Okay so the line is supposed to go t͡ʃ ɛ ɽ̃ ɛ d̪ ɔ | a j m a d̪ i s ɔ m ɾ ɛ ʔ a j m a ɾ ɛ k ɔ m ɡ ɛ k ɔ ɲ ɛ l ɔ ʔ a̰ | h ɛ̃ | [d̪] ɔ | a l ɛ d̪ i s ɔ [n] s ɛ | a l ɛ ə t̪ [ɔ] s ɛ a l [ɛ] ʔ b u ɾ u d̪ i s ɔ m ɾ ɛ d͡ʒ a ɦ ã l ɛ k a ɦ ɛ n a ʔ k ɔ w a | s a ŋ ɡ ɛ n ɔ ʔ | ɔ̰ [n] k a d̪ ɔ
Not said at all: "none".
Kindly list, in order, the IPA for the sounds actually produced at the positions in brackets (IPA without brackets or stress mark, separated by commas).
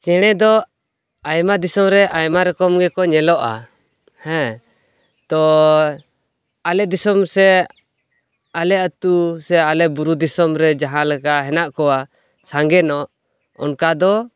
t̪, m, u, ɛ, n